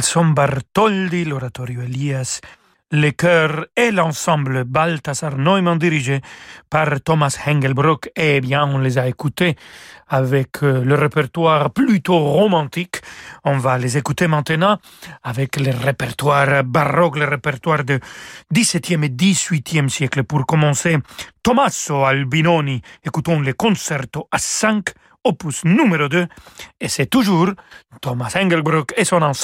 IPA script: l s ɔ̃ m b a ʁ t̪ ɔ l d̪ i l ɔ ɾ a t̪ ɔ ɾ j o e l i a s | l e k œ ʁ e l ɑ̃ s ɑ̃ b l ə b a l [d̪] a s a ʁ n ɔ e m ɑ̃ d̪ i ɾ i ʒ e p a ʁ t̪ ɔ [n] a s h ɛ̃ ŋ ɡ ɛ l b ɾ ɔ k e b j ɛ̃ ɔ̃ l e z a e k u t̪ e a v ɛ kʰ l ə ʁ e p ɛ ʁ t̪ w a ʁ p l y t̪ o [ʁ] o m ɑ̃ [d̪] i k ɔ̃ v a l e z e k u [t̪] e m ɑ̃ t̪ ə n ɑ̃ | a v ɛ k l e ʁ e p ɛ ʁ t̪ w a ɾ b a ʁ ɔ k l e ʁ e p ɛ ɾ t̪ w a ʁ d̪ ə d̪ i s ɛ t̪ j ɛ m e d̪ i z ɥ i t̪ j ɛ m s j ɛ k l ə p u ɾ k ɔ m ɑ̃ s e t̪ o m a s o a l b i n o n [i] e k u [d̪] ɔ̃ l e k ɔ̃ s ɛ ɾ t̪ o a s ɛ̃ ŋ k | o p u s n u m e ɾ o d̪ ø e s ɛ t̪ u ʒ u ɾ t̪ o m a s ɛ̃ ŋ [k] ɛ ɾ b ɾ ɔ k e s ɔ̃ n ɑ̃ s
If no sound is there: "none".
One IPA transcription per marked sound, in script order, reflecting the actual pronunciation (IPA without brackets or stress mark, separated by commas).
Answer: t̪, m, ʁ, t̪, t̪, i, t̪, ɡ